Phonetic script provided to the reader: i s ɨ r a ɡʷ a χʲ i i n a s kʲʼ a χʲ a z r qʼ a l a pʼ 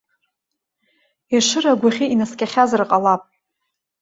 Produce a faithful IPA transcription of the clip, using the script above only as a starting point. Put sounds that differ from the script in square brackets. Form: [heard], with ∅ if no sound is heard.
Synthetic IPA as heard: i [ʂ] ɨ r a ɡʷ a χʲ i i n a s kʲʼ a χʲ a z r qʼ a l a pʼ